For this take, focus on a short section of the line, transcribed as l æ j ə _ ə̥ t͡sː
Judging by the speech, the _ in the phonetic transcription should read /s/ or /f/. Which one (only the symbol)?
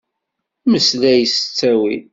s